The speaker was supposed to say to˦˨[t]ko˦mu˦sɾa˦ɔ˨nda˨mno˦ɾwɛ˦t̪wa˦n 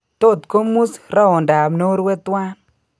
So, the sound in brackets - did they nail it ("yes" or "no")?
yes